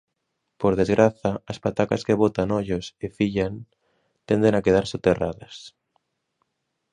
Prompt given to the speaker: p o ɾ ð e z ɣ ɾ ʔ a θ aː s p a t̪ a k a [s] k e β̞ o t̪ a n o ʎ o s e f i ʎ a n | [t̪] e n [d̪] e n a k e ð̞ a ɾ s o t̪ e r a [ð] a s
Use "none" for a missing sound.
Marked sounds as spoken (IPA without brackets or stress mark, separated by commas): s, t̪, d̪, ð